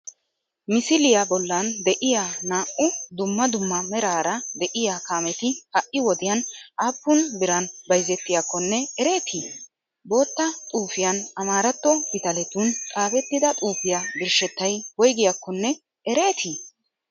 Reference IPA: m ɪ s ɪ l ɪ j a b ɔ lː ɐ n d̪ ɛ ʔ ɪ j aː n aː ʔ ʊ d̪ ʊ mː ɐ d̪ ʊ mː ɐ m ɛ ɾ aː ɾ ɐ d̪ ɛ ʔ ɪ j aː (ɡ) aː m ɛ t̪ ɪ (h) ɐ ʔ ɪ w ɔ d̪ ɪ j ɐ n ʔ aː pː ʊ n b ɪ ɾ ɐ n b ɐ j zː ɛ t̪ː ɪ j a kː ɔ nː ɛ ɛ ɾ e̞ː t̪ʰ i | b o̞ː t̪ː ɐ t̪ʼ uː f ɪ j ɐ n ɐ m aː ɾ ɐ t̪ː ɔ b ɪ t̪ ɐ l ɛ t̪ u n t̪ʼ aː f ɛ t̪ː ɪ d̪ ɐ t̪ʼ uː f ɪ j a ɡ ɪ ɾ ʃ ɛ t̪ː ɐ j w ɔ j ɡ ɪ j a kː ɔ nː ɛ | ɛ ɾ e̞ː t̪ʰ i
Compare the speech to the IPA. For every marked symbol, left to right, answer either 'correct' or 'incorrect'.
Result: incorrect, correct

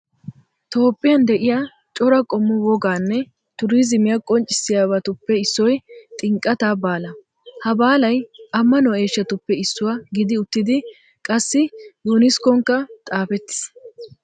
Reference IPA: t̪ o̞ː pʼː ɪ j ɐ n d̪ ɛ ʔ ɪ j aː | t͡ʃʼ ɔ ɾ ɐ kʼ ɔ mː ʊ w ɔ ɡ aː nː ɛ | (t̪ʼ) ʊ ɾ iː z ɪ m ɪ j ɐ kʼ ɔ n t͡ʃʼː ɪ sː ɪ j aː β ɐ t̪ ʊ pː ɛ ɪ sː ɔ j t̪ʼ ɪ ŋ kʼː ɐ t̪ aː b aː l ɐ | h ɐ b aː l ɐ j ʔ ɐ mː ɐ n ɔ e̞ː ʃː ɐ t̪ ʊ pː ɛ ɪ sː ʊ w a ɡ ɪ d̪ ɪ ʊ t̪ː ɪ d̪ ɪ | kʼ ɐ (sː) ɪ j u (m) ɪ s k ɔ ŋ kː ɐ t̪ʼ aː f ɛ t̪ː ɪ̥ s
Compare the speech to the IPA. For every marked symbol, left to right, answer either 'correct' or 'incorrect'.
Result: incorrect, correct, incorrect

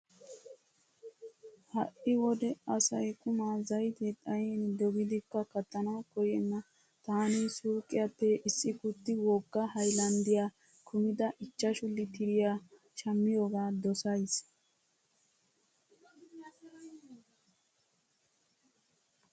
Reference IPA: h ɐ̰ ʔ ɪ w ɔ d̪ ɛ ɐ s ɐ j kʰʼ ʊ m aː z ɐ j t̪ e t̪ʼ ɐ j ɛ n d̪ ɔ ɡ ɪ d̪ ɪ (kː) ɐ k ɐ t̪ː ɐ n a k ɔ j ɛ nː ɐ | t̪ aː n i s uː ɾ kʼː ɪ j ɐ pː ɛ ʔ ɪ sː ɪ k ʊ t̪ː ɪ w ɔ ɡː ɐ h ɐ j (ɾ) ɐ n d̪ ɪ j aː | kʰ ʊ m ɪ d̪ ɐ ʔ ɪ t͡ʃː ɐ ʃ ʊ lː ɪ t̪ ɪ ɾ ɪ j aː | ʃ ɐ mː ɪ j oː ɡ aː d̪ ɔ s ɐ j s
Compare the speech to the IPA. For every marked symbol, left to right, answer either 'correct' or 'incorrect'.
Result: correct, incorrect

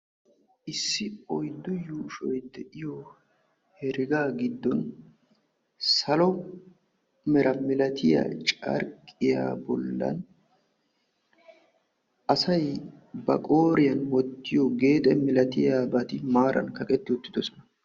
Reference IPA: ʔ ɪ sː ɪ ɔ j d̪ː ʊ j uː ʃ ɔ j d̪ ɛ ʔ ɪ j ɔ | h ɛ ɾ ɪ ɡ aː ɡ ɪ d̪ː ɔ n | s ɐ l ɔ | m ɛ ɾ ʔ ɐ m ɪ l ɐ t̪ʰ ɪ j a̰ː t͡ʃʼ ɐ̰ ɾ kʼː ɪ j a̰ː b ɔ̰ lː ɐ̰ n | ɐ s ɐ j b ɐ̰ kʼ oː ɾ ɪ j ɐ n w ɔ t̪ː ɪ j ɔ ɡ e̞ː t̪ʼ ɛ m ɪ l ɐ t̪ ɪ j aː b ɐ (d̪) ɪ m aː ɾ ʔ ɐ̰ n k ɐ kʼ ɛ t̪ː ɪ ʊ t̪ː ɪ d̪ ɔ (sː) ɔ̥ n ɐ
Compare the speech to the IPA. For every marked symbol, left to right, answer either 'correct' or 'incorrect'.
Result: incorrect, incorrect

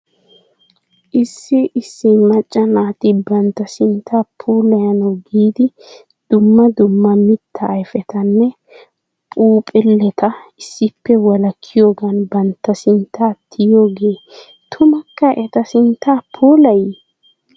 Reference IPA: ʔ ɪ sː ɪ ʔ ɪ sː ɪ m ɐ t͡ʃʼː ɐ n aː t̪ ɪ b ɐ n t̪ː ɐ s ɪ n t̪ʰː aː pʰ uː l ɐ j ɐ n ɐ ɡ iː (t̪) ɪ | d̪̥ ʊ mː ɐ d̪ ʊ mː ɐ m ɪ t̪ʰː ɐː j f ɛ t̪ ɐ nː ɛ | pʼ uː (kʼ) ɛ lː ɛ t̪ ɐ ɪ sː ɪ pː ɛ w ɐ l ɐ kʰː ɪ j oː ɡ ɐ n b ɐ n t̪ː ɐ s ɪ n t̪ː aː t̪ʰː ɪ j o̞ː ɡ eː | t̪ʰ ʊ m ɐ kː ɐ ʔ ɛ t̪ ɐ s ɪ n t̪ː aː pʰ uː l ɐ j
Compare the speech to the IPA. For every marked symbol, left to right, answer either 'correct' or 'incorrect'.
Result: incorrect, incorrect

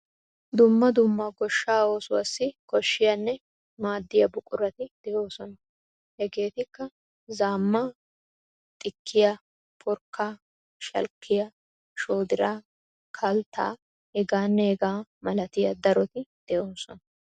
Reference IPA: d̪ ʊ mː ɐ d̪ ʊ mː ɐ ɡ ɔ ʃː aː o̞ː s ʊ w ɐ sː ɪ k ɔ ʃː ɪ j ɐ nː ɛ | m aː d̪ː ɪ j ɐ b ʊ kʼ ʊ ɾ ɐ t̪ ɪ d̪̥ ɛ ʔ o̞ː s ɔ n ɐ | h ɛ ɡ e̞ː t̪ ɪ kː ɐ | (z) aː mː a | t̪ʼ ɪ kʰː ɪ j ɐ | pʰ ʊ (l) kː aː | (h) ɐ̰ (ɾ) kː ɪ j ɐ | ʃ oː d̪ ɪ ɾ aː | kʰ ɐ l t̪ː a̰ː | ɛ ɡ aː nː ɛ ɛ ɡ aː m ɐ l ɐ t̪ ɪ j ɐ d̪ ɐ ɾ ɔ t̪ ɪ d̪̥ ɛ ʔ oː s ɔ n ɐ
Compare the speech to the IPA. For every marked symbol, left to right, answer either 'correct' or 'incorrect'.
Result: correct, incorrect, incorrect, incorrect

